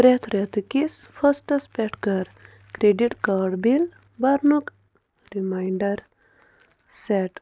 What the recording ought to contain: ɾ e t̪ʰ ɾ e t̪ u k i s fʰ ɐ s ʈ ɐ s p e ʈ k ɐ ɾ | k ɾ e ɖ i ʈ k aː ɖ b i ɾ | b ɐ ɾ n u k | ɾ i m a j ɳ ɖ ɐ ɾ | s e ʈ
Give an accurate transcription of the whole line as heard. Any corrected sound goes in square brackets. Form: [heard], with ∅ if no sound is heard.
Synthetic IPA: ɾ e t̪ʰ ɾ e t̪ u k i s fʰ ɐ s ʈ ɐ s p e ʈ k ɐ ɾ | k ɾ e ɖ i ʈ k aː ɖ b i [l] | b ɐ ɾ n u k | ɾ i m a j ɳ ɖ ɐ ɾ | s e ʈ